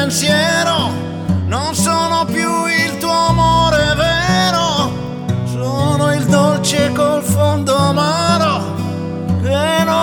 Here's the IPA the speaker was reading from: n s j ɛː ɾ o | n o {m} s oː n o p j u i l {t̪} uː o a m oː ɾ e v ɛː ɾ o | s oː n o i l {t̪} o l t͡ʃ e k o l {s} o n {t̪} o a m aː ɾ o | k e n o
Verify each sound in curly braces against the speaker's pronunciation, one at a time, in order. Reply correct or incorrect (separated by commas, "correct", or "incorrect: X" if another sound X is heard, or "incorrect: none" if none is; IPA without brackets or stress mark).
incorrect: n, correct, incorrect: d̪, incorrect: f, incorrect: d̪